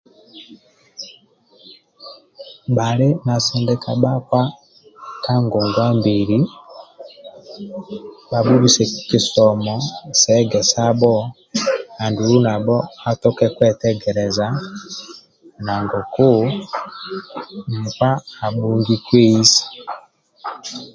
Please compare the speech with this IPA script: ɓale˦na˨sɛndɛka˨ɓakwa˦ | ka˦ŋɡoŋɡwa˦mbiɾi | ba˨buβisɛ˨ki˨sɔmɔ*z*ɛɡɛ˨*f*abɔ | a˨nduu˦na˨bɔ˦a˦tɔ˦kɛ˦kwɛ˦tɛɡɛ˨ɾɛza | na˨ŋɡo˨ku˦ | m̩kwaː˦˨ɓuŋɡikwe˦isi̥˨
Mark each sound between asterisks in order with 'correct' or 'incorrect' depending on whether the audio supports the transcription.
incorrect: s, incorrect: s

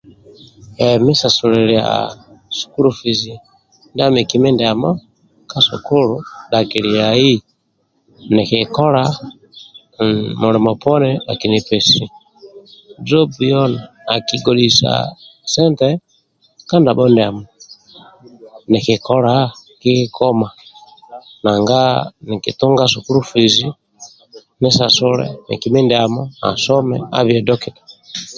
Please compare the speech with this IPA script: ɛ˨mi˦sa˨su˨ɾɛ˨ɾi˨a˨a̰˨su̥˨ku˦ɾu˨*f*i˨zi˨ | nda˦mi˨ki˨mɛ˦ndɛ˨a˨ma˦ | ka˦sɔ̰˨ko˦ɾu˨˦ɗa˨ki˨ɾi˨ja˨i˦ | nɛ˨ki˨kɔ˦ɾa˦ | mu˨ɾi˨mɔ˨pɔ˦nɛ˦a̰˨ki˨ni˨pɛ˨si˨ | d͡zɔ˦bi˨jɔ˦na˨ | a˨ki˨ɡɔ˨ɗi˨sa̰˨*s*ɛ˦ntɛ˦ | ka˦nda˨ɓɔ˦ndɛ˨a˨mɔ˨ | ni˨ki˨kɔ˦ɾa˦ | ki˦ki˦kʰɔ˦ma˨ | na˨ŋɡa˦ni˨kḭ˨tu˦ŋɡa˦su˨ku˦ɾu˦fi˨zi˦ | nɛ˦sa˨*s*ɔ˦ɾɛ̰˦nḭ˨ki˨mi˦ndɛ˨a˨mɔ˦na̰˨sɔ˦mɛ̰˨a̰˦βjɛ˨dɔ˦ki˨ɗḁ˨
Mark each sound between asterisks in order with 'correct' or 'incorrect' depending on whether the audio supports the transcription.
correct, correct, correct

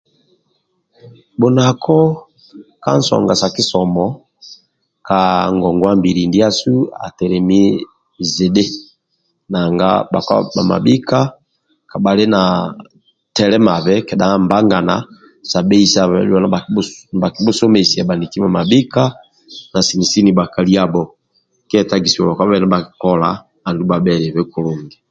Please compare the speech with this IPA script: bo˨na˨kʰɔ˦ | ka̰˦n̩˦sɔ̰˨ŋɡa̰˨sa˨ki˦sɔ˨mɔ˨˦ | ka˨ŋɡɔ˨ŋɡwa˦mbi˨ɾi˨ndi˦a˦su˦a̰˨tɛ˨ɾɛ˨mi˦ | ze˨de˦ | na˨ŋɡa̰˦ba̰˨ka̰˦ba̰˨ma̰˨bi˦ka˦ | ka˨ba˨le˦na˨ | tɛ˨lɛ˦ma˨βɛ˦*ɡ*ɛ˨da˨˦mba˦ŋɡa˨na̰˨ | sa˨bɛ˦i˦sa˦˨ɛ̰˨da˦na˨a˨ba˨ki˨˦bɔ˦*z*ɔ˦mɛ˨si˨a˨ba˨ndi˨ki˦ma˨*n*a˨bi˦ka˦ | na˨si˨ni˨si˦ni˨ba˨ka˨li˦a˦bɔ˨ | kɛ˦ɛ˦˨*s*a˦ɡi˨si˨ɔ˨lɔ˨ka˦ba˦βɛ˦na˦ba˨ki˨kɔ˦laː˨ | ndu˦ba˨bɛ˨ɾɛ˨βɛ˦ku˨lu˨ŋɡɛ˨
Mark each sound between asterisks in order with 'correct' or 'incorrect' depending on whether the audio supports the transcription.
incorrect: k, incorrect: s, incorrect: m, incorrect: t

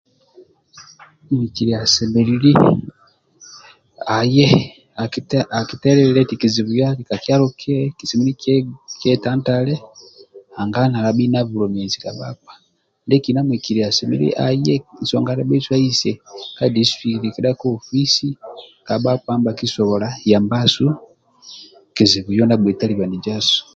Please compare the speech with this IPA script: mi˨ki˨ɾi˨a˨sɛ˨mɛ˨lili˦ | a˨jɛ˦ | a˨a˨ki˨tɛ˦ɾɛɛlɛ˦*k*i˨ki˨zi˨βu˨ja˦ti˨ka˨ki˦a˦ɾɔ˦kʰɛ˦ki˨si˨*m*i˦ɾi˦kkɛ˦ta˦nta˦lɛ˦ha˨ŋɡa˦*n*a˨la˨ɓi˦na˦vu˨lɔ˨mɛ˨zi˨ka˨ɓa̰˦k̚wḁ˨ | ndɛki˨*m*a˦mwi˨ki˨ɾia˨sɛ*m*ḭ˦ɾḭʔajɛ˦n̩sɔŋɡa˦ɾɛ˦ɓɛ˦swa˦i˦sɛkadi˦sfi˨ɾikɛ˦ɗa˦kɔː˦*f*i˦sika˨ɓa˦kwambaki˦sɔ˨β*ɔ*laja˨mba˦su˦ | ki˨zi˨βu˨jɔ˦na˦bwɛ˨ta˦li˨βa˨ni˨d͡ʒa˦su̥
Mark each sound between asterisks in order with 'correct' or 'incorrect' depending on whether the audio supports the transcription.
incorrect: t, correct, correct, incorrect: n, correct, correct, correct

